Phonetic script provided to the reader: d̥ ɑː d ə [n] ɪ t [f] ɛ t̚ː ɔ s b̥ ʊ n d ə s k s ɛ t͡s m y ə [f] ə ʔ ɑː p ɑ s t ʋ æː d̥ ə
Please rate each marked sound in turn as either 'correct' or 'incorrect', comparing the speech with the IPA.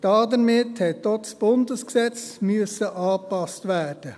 incorrect, incorrect, incorrect

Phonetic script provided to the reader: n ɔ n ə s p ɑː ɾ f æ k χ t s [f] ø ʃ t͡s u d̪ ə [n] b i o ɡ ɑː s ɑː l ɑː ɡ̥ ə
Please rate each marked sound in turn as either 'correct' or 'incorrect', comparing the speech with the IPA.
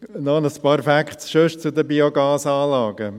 incorrect, incorrect

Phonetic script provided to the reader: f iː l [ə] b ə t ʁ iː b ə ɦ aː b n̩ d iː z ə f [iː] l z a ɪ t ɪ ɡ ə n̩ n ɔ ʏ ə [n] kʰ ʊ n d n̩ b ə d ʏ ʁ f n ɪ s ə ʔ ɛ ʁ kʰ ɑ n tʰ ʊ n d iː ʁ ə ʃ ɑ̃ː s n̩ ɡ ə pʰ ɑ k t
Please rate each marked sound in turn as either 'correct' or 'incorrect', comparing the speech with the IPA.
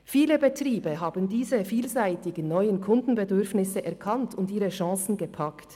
correct, correct, correct

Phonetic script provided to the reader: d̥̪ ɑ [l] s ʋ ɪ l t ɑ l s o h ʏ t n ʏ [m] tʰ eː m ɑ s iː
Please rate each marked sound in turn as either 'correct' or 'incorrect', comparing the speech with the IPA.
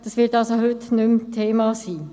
incorrect, correct

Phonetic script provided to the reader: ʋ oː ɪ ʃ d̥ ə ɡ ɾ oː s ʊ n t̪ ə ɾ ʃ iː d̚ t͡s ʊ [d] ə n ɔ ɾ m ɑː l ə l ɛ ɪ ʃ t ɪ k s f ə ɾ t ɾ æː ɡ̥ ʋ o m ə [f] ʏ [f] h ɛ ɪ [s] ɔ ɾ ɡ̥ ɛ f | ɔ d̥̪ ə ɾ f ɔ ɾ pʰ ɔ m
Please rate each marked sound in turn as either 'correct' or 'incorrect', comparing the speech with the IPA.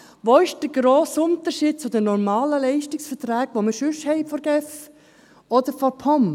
correct, incorrect, incorrect, incorrect

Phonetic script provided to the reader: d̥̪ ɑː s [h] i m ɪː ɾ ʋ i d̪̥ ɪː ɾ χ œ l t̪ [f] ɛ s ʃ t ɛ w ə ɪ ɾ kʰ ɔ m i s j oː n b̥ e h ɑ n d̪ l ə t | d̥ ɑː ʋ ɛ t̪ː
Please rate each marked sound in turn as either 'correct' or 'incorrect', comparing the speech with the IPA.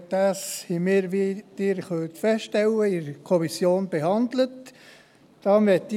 correct, correct

